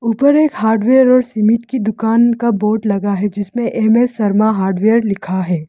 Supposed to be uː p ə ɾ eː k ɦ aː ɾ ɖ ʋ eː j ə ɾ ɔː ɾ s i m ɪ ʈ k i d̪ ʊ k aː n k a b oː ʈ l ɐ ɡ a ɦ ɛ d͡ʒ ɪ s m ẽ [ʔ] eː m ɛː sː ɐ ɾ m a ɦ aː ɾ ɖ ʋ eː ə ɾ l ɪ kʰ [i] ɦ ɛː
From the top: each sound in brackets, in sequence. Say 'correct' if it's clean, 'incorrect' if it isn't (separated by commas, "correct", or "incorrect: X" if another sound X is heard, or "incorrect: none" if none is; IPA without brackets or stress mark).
correct, incorrect: a